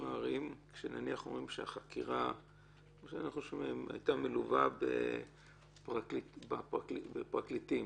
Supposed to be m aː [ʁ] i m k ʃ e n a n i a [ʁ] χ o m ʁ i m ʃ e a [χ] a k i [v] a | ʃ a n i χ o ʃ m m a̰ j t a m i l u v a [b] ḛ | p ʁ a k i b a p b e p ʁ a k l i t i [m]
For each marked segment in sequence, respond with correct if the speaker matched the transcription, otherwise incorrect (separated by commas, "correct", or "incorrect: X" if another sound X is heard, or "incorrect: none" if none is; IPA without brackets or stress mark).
correct, incorrect: none, correct, incorrect: ʁ, correct, correct